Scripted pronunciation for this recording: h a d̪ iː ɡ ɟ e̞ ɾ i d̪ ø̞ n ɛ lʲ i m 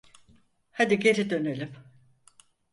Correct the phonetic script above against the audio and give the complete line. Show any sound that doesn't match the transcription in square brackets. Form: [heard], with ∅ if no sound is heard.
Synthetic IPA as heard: h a d̪ [i] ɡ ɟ e̞ ɾ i d̪ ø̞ n [e] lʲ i m